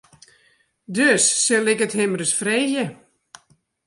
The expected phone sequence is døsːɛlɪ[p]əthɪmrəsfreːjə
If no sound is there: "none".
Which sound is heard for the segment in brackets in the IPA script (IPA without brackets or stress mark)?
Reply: k